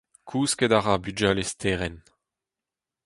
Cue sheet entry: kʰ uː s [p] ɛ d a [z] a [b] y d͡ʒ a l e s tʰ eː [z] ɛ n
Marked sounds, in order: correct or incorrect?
incorrect: k, incorrect: ʁ, correct, incorrect: ʁ

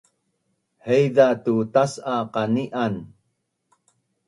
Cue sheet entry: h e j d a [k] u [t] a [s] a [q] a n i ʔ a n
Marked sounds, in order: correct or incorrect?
incorrect: t, correct, correct, correct

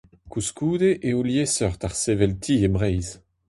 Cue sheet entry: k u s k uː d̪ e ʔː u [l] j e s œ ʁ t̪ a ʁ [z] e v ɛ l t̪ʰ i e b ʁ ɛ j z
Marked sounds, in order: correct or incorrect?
correct, incorrect: s

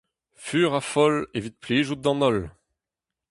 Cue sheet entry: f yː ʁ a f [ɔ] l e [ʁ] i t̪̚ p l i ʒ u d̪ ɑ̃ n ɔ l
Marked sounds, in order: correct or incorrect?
correct, incorrect: v

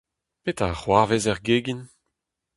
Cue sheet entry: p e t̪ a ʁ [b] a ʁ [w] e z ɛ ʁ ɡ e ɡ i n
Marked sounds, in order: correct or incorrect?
incorrect: w, incorrect: v

